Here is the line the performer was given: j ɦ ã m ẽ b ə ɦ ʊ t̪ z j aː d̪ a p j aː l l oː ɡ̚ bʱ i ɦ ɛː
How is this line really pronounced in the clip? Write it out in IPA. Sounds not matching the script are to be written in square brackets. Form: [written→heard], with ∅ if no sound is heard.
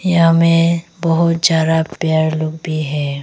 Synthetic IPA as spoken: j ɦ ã m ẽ b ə ɦ ʊ t̪ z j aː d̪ a p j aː [l→ɾ] l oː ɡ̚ bʱ i ɦ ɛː

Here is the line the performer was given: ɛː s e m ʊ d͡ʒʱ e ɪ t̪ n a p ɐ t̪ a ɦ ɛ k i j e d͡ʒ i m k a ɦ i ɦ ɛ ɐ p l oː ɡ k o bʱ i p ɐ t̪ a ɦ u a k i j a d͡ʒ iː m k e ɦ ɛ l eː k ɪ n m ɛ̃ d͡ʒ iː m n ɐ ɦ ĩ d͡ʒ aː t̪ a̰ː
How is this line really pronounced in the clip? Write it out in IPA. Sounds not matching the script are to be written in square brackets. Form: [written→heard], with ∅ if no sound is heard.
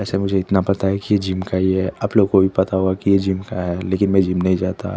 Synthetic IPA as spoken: ɛː s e m ʊ d͡ʒʱ e ɪ t̪ n a p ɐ t̪ a ɦ ɛ k i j e d͡ʒ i m k a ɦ i ɦ ɛ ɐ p l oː ɡ k o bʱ i p ɐ t̪ a ɦ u a k i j [a→e] d͡ʒ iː m k [e→a] ɦ ɛ l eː k ɪ n m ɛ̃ d͡ʒ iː m n ɐ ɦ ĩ d͡ʒ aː t̪ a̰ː

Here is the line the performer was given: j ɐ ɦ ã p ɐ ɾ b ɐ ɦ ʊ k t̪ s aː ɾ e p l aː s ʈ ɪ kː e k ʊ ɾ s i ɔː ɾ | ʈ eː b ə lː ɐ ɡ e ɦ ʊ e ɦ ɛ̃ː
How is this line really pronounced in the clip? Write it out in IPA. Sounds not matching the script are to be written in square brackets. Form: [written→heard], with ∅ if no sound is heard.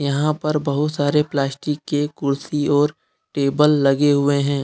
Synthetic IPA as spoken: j ɐ ɦ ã p ɐ ɾ b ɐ ɦ ʊ [k→∅] t̪ s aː ɾ e p l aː s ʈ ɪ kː e k ʊ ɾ s i ɔː ɾ | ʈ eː b ə lː ɐ ɡ e ɦ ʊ e ɦ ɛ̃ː

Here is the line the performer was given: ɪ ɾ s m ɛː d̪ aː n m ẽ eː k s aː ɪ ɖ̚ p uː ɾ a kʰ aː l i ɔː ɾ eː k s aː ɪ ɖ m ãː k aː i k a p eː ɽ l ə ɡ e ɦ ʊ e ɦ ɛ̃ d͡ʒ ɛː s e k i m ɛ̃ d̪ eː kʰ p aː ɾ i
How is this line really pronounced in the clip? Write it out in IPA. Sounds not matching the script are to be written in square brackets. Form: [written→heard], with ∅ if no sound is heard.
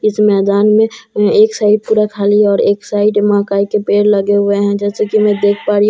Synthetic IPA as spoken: ɪ [ɾ→∅] s m ɛː d̪ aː n m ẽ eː k s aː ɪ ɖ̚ p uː ɾ a kʰ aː l i ɔː ɾ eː k s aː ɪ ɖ m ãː k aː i k [a→e] p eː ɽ l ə ɡ e ɦ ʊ e ɦ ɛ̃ d͡ʒ ɛː s e k i m ɛ̃ d̪ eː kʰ p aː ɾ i

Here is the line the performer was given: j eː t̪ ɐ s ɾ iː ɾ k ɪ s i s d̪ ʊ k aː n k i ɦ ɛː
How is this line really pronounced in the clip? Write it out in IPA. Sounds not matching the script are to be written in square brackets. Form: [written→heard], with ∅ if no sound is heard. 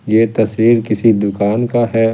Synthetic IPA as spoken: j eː t̪ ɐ s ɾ iː ɾ k ɪ s i [s→∅] d̪ ʊ k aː n k [i→a] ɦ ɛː

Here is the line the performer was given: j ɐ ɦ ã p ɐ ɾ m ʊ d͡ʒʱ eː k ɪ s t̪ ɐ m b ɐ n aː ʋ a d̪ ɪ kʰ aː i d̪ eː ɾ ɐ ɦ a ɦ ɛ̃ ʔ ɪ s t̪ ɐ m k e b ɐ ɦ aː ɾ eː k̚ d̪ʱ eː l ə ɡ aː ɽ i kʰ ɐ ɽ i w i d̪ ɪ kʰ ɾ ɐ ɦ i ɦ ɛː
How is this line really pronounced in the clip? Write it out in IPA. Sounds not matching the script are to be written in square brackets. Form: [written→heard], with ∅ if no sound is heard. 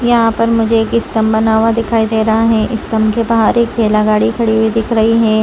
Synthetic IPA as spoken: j ɐ ɦ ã p ɐ ɾ m ʊ d͡ʒʱ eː k ɪ s t̪ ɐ m b ɐ n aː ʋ a d̪ ɪ kʰ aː i d̪ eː ɾ ɐ ɦ a ɦ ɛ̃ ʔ ɪ s t̪ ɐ m k e b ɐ ɦ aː ɾ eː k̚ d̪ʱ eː l [ə→a] ɡ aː ɽ i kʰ ɐ ɽ i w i d̪ ɪ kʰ ɾ ɐ ɦ i ɦ ɛː

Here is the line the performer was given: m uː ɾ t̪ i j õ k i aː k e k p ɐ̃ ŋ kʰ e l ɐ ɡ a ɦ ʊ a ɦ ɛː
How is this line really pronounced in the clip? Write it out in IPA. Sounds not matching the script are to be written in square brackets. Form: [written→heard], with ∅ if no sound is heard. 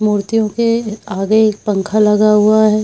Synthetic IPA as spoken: m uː ɾ t̪ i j õ k [i→e] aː [k→ɡ] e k p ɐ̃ ŋ kʰ [e→a] l ɐ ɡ a ɦ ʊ a ɦ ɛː

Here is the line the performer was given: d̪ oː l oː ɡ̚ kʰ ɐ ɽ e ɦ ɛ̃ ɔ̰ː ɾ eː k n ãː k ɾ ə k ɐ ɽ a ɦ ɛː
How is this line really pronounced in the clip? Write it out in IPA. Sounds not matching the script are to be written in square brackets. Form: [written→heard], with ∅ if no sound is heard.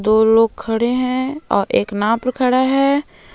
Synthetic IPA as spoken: d̪ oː l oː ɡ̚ kʰ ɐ ɽ e ɦ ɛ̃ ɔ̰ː ɾ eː k n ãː [k→p] ɾ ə [k→kʰ] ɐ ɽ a ɦ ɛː

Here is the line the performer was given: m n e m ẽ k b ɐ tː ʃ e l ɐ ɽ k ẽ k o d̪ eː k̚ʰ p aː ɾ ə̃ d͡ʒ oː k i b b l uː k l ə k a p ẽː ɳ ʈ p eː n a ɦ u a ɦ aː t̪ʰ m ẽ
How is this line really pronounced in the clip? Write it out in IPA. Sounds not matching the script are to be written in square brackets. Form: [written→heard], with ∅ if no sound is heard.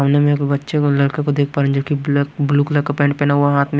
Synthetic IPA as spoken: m n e m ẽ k b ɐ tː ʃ e l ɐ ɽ k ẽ k o d̪ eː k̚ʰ p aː ɾ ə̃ d͡ʒ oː k i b b l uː k l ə k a p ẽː ɳ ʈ p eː n a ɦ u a ɦ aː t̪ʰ m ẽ

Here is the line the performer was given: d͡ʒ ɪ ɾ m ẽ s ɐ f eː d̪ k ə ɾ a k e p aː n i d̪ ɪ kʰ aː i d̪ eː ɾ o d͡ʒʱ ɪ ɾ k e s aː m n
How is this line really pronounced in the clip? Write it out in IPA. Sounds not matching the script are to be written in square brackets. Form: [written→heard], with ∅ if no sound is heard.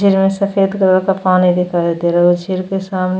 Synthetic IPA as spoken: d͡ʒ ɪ ɾ m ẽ s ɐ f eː d̪ k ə ɾ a k [e→a] p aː n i d̪ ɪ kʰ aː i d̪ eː ɾ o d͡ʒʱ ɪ ɾ k e s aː m n

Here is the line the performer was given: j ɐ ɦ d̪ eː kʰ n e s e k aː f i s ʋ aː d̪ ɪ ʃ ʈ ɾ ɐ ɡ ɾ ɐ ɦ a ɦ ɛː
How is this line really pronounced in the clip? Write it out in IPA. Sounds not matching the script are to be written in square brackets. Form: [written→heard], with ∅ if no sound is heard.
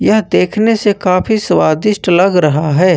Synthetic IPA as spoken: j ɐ ɦ d̪ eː kʰ n e s e k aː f i s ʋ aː d̪ ɪ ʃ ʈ [ɾ→l] ɐ ɡ ɾ ɐ ɦ a ɦ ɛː

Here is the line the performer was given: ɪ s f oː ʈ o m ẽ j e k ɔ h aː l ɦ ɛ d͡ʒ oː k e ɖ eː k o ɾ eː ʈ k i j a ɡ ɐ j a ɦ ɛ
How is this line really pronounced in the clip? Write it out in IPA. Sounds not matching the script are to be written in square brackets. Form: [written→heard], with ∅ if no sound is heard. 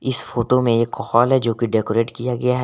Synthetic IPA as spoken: ɪ s f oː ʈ o m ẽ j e k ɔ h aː l ɦ ɛ d͡ʒ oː k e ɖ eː k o ɾ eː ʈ k i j a ɡ ɐ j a ɦ ɛ

